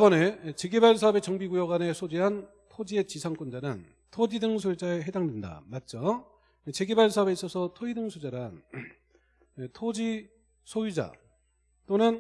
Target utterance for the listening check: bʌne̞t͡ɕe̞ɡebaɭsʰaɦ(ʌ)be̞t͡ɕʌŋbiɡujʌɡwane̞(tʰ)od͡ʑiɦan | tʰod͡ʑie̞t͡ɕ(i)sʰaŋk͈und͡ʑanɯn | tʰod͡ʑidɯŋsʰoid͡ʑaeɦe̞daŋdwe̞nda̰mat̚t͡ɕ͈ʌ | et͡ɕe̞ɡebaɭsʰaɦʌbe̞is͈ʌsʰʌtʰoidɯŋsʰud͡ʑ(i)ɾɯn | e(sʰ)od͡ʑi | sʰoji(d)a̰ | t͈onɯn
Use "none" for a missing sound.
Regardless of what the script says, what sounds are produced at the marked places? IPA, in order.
ʌ, sʰ, i, a, tʰ, d͡ʑ

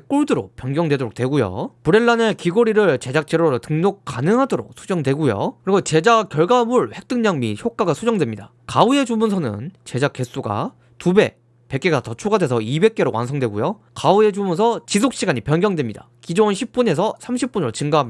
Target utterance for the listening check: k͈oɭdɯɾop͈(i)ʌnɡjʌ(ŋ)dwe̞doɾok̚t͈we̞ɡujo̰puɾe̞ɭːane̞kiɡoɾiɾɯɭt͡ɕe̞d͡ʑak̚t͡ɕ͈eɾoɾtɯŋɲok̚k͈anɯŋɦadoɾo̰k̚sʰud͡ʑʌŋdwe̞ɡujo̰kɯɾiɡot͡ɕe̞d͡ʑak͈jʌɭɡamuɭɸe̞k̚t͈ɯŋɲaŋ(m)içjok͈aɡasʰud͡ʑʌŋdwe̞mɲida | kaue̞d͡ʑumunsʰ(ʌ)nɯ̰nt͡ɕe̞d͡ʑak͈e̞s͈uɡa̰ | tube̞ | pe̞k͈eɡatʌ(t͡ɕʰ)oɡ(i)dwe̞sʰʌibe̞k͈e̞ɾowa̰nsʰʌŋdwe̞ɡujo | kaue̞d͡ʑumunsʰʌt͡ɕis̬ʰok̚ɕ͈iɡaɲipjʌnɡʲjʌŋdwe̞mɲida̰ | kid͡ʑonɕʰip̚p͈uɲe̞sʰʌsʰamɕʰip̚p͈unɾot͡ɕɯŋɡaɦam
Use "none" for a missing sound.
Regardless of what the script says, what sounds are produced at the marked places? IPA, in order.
j, ŋ, m, ʌ, t͡ɕʰ, a

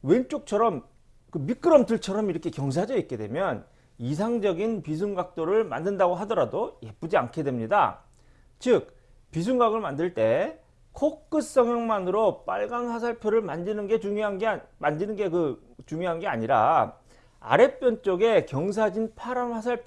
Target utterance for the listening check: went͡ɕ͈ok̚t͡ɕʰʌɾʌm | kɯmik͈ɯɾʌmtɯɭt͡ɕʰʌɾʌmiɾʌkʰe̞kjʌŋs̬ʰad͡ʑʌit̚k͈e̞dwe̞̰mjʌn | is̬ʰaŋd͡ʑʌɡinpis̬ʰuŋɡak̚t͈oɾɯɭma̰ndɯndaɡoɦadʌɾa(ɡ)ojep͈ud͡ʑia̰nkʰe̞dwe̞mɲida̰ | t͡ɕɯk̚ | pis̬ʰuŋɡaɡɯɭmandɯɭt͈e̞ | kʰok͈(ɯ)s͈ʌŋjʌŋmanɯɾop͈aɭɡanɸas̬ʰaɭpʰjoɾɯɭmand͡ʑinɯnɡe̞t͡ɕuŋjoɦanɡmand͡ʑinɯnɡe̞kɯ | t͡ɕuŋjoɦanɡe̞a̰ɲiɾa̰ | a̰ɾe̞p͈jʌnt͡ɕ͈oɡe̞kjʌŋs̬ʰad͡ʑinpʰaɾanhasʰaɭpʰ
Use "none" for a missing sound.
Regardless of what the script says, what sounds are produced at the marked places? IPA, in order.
d, ɯ

